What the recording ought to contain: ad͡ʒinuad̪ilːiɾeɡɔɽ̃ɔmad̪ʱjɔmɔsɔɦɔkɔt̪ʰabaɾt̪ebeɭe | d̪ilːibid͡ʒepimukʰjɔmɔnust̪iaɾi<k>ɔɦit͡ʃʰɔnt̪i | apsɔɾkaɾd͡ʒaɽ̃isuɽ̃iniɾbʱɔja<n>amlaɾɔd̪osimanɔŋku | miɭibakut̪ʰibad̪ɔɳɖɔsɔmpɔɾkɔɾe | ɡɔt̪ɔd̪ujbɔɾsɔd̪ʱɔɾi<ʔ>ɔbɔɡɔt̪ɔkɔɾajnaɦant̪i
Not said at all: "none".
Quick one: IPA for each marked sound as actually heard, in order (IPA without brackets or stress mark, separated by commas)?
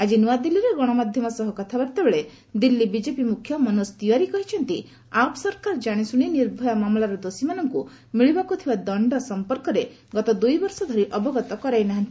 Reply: k, m, ʔ